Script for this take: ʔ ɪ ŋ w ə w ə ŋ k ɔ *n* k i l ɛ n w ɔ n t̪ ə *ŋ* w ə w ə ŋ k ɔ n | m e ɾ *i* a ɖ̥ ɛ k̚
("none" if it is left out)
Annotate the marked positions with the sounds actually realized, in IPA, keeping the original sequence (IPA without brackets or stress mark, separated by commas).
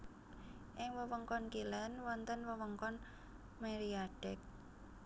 n, n, i